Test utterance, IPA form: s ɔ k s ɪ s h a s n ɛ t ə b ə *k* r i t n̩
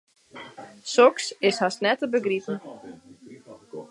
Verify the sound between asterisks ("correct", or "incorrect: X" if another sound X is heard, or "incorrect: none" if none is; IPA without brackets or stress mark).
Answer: incorrect: ɡ